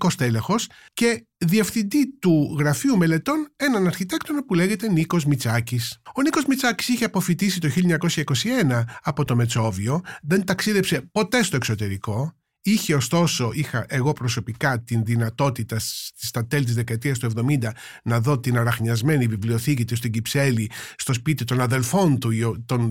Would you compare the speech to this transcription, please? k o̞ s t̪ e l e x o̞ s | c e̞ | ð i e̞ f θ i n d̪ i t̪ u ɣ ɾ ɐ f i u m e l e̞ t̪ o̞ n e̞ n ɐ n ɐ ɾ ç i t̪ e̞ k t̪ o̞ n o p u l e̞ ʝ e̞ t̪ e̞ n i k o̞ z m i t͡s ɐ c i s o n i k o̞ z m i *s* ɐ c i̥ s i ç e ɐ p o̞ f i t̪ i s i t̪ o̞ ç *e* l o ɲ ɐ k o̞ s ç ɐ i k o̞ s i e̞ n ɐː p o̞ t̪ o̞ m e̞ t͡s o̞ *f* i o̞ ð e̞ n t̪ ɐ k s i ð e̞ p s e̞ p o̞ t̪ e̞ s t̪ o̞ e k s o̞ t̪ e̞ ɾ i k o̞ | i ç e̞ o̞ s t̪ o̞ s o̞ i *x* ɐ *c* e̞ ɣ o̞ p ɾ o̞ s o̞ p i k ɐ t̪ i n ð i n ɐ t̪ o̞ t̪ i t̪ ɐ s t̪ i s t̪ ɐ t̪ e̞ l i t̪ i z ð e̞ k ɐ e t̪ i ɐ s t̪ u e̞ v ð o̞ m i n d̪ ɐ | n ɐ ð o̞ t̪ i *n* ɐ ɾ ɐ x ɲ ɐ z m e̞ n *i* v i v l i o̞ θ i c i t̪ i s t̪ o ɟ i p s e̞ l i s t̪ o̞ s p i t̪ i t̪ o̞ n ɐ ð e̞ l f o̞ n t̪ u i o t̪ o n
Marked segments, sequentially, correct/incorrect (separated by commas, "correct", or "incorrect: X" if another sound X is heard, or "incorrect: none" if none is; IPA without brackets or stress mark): incorrect: t͡s, incorrect: i, incorrect: v, correct, incorrect: ʔ, correct, correct